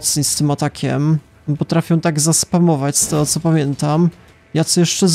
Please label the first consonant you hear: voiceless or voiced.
voiceless